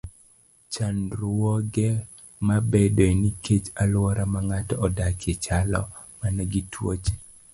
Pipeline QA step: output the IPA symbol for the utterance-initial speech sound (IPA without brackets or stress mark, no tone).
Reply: t͡ʃ